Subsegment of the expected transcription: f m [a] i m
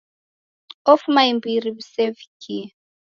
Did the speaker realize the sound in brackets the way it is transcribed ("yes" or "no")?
yes